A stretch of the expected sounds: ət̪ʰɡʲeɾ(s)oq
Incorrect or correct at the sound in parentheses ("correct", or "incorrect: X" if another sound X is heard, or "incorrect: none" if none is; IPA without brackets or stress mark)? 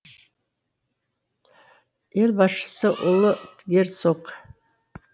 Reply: correct